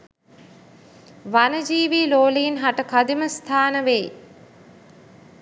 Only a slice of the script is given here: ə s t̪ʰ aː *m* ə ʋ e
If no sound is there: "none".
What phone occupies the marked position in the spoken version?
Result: n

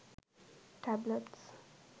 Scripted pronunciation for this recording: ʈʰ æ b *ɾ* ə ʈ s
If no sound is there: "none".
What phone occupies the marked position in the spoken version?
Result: l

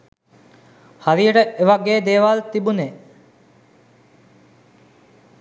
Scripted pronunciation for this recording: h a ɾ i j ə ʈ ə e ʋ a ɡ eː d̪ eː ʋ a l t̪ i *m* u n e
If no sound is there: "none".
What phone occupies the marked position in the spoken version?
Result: b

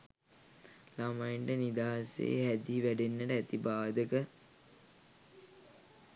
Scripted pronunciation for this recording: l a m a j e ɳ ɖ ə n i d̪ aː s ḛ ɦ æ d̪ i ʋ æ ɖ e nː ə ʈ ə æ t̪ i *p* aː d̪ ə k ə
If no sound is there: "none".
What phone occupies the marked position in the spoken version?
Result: b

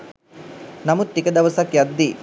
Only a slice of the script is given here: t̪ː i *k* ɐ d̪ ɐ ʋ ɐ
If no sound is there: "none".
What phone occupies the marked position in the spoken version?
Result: k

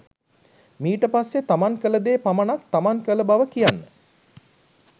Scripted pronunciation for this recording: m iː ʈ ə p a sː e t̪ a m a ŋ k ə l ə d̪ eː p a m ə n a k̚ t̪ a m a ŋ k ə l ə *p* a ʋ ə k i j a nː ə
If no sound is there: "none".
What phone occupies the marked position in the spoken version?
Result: b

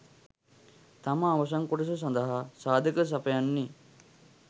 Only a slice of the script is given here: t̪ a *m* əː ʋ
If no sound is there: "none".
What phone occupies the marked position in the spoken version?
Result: m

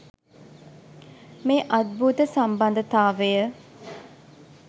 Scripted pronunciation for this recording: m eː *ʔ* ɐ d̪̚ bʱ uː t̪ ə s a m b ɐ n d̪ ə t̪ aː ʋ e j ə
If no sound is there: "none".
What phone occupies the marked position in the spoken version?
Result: ʔ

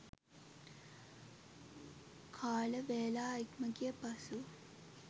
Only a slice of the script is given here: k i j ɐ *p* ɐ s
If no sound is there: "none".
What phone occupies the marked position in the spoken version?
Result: p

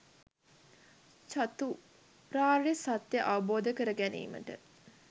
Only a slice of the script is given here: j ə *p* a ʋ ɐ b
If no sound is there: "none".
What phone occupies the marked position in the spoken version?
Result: ʔ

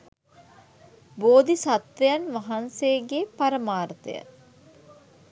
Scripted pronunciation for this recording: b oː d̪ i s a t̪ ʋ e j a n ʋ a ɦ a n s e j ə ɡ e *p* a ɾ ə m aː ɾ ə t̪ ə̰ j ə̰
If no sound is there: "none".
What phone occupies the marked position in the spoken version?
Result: p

